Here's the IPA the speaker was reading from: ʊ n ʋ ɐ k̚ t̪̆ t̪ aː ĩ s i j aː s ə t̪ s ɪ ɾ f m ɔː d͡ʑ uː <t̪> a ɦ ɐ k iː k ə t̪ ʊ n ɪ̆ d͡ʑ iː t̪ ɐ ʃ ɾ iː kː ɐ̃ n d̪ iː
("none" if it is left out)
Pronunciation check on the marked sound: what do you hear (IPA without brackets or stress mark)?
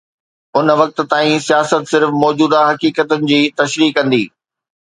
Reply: d̪